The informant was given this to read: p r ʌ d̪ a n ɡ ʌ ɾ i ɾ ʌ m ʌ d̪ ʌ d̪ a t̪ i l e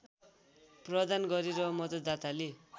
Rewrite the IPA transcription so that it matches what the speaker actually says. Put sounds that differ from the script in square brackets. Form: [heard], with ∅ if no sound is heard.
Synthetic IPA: p r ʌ d̪ a n ɡ ʌ ɾ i ɾ ʌ m ʌ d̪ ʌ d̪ a t̪ [a] l e